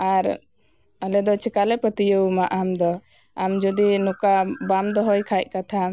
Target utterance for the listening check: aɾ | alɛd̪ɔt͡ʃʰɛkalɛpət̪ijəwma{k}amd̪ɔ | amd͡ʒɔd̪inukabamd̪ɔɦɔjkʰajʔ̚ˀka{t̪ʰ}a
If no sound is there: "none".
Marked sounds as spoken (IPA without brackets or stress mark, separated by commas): ʔ, t̪ʰ